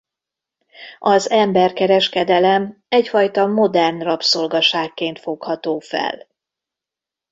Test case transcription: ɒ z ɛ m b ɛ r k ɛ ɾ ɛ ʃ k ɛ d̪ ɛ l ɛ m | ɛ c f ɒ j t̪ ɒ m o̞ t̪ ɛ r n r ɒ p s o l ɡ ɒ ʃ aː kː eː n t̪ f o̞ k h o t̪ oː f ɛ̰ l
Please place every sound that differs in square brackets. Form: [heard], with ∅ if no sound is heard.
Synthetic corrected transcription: ɒ z ɛ m b ɛ r k ɛ ɾ ɛ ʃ k ɛ d̪ ɛ l ɛ m | ɛ c f ɒ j t̪ ɒ m o̞ [d̪] ɛ r n r ɒ p s o l ɡ ɒ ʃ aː kː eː n t̪ f o̞ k h [ɒ] t̪ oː f ɛ̰ l